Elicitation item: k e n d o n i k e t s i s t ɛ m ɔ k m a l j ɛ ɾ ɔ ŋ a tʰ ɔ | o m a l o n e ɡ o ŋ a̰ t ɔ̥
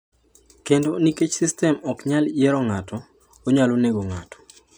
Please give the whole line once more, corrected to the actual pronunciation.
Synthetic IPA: k e n d o n i k e t͡ʃ s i s t ɛ m ɔ k ɲ a l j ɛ ɾ ɔ ŋ a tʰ ɔ | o ɲ a l o n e ɡ o ŋ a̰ t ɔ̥